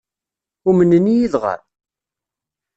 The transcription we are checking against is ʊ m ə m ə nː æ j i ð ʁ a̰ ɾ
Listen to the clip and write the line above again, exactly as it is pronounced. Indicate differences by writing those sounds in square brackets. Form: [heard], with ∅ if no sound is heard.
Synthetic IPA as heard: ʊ m ə [n] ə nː [i] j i ð ʁ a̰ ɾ